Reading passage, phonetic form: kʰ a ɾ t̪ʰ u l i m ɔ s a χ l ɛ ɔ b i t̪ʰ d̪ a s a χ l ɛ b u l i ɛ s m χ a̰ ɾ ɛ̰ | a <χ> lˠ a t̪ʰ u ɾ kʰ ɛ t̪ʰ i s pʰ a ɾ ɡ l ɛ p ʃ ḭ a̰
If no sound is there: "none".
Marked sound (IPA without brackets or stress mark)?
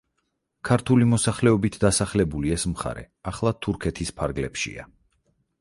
χ